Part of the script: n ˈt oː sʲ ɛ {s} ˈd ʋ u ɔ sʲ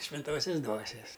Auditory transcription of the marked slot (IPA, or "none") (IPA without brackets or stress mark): s